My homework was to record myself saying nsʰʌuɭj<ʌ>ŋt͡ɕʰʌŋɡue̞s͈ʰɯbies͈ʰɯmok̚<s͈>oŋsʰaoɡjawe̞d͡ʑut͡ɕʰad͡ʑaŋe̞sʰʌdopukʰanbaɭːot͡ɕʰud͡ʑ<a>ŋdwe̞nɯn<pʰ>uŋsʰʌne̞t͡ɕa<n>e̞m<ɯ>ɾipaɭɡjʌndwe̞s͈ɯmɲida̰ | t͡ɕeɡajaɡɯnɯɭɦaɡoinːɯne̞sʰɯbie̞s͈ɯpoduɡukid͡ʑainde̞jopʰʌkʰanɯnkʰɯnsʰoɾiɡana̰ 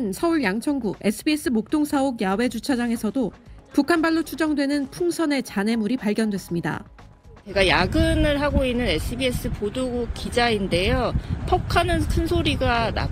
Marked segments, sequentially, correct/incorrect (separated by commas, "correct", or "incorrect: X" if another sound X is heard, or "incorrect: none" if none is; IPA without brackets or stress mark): incorrect: a, incorrect: t͈, incorrect: ʌ, correct, correct, incorrect: u